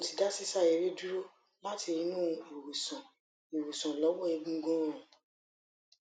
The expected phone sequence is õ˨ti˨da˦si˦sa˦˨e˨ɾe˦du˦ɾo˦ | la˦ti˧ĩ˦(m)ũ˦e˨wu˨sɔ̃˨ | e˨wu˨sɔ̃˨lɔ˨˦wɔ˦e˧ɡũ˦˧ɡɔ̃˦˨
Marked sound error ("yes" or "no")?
yes